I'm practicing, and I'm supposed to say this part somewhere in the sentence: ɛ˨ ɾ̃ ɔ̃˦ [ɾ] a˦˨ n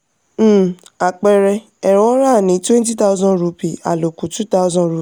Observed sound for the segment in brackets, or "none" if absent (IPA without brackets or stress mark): ɾ